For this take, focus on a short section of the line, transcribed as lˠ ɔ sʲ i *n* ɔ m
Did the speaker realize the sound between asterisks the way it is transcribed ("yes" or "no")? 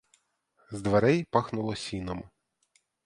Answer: yes